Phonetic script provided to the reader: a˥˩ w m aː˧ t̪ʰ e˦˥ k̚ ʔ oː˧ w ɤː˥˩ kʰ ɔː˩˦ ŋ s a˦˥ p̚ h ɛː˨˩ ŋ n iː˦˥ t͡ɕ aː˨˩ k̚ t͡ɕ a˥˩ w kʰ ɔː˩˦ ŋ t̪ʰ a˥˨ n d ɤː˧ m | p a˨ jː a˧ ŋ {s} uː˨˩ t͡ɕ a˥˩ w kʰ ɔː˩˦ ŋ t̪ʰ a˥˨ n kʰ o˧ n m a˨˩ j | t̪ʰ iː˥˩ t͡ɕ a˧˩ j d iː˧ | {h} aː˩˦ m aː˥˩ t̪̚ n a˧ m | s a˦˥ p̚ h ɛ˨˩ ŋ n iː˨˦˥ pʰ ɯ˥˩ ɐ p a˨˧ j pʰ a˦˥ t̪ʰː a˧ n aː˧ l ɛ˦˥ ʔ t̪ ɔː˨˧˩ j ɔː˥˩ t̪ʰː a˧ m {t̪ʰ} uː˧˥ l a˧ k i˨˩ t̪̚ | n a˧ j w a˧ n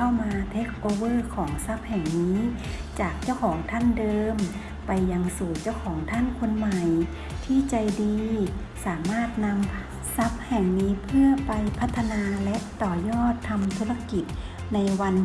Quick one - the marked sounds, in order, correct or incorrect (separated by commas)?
correct, incorrect, correct